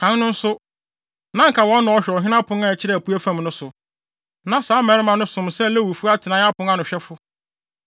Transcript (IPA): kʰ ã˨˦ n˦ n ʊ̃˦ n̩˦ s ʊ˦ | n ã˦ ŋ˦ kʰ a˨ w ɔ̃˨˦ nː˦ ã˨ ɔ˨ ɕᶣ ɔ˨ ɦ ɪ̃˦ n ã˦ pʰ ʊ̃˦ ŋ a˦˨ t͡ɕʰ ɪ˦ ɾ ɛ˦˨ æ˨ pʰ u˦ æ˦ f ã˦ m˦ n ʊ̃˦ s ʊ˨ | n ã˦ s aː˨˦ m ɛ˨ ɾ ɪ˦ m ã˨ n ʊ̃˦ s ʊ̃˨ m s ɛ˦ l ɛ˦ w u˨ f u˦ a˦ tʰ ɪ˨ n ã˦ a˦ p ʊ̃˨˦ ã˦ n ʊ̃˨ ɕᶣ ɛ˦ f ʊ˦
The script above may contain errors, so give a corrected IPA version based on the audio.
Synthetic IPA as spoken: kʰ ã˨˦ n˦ n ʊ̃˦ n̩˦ s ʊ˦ | n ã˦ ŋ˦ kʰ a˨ w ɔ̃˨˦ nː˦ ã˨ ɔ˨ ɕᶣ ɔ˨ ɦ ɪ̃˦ n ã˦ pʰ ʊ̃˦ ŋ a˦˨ t͡ɕʰ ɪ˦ ɾ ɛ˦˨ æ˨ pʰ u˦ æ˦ f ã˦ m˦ n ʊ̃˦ s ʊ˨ | n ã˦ s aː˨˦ m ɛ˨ ɾ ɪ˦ m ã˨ n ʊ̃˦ s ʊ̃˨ m s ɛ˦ l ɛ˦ w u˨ f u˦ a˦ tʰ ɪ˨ n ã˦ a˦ p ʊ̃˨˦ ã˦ n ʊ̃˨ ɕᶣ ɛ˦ f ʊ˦